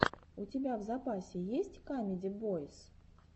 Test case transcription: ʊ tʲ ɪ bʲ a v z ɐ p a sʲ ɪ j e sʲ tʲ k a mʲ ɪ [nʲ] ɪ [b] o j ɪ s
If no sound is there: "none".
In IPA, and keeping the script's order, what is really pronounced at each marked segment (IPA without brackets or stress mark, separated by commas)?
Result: dʲ, b